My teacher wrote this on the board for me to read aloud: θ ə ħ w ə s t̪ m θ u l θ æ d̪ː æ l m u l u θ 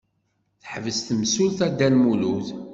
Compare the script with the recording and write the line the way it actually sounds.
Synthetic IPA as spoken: θ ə ħ v ə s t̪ m s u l θ æ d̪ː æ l m u l u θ